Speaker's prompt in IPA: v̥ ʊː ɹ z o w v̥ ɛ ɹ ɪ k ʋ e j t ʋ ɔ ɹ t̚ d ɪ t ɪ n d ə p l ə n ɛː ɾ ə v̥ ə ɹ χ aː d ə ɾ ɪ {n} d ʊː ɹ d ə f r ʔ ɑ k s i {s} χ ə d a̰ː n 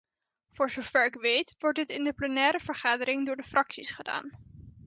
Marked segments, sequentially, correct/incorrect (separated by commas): incorrect, correct